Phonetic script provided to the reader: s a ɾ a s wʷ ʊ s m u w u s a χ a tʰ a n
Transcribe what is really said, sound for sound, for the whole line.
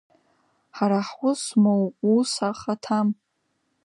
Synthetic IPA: ħ a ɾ a ħ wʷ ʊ s m o w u s a χ a tʰ a m